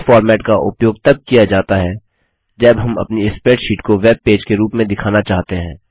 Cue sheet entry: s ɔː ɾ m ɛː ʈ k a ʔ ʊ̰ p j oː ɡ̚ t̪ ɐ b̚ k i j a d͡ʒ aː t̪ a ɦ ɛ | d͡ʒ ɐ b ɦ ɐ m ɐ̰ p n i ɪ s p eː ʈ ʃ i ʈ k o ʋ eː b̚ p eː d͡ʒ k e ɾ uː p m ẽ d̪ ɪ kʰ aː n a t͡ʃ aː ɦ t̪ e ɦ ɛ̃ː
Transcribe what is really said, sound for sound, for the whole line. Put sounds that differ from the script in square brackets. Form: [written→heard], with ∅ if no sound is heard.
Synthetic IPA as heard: [s→f] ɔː ɾ m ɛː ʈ k a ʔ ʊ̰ p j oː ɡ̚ t̪ ɐ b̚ k i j a d͡ʒ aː t̪ a ɦ ɛ | d͡ʒ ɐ b ɦ ɐ m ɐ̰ p n i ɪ s p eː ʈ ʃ [i→iː] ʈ k o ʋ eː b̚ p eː d͡ʒ k e ɾ uː p m ẽ d̪ ɪ kʰ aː n a t͡ʃ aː ɦ t̪ e ɦ ɛ̃ː

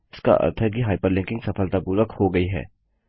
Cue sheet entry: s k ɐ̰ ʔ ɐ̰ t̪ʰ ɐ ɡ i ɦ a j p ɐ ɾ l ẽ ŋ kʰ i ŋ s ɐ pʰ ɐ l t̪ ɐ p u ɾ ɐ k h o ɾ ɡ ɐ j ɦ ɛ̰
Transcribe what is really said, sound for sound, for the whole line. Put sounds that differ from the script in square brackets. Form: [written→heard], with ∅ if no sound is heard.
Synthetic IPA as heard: s k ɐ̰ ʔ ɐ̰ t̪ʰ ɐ ɡ i ɦ a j p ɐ ɾ l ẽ ŋ [kʰ→k] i ŋ s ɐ pʰ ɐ l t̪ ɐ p u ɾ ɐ k h o [ɾ→∅] ɡ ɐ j ɦ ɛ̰

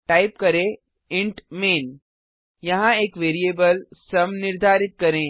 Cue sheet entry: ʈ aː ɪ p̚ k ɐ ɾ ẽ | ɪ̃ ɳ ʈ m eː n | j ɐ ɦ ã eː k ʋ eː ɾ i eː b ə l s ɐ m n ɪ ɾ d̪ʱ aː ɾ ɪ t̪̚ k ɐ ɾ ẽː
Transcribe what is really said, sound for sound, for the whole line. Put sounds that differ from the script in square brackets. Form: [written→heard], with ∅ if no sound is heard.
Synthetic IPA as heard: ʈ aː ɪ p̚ k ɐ ɾ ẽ | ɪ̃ ɳ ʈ m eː n | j ɐ ɦ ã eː k ʋ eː ɾ i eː b ə l s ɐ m n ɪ ɾ d̪ʱ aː ɾ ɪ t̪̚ k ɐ ɾ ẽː

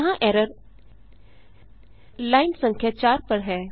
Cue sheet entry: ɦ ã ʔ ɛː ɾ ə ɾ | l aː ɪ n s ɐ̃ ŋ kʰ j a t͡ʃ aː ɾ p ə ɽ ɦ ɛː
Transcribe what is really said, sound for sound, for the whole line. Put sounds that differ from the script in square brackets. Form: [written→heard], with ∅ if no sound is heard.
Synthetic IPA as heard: ɦ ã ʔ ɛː ɾ ə ɾ | l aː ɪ n s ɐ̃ ŋ kʰ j a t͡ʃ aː ɾ p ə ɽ ɦ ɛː

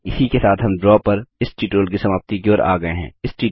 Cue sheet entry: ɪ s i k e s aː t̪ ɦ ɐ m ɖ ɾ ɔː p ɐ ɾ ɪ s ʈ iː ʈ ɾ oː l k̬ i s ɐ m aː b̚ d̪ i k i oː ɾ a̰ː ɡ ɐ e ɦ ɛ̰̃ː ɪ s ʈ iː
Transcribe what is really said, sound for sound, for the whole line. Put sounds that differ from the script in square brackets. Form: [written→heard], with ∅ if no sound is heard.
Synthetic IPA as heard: ɪ s i k e s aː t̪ ɦ ɐ m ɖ ɾ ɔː p ɐ ɾ ɪ s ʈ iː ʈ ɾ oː l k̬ i s ɐ m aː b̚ [d̪→t̪] i k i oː ɾ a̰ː ɡ ɐ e ɦ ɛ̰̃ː ɪ s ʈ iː

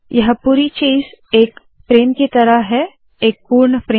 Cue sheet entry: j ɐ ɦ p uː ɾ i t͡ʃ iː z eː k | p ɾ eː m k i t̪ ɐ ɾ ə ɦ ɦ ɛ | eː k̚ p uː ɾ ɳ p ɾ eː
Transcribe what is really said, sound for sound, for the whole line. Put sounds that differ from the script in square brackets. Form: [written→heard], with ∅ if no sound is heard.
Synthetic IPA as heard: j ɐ ɦ p uː ɾ i t͡ʃ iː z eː k | p ɾ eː m k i t̪ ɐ ɾ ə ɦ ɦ ɛ | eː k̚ p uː ɾ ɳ p ɾ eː

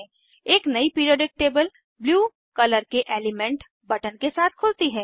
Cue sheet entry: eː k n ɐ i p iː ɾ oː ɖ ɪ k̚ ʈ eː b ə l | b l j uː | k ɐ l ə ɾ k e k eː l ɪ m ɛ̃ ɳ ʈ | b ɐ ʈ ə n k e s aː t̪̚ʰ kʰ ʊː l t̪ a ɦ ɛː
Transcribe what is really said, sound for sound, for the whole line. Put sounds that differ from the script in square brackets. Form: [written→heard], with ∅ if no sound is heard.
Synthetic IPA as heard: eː k n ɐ i p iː ɾ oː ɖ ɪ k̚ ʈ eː b ə l | b l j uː | k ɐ l ə ɾ k e [k→ʔ] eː l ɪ m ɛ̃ ɳ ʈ | b ɐ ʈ ə n k e s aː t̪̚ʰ kʰ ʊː l t̪ [a→i] ɦ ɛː

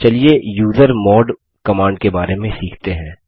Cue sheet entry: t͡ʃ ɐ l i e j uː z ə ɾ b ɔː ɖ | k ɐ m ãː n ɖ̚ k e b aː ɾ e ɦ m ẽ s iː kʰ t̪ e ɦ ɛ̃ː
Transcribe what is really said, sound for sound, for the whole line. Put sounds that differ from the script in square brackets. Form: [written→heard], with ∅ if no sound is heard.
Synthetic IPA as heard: t͡ʃ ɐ l i e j uː z ə ɾ [b→m] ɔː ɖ | k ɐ m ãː [n→ɳ] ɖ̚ k e b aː ɾ e [ɦ→∅] m ẽ s iː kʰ t̪ e ɦ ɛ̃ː

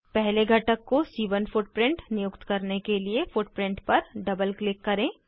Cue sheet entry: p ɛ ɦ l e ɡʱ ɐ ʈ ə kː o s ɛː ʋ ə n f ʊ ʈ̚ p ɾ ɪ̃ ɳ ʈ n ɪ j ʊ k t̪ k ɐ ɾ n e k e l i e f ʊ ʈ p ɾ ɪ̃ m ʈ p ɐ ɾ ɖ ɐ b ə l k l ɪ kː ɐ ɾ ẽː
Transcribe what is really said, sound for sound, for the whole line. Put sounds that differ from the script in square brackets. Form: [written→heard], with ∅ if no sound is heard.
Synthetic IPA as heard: p ɛ ɦ l e ɡʱ ɐ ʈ ə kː o s [ɛː→iː] ʋ ə n f ʊ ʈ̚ p ɾ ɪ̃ ɳ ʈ n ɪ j ʊ k t̪ k ɐ ɾ n e k e l i e f ʊ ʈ p ɾ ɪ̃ [m→ɳ] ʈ p ɐ ɾ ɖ ɐ b ə l k l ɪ kː ɐ ɾ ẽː

